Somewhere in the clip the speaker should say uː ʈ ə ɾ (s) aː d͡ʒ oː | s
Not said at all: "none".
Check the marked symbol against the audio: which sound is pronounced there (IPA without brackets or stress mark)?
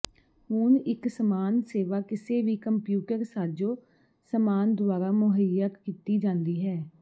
s